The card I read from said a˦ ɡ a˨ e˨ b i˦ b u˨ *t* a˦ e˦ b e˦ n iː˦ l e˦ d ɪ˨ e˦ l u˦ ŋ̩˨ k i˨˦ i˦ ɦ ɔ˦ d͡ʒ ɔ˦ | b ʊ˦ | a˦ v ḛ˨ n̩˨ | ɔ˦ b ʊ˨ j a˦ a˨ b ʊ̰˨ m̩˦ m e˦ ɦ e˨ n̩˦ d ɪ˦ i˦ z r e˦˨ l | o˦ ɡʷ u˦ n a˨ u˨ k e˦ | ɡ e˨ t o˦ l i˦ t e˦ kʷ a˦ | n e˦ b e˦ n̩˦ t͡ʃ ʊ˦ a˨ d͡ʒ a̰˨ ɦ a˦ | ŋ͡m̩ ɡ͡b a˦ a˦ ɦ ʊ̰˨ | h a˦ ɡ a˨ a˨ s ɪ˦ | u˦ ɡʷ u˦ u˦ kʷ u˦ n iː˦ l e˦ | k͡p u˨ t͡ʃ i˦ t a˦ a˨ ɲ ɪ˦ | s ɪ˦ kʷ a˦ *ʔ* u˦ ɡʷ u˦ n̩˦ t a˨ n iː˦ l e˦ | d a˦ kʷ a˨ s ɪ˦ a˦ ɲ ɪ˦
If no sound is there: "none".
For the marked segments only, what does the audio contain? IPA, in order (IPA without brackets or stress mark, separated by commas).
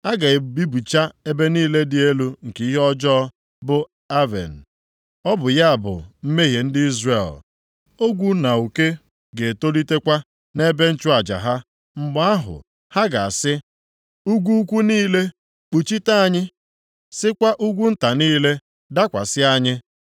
t͡ʃ, ʔ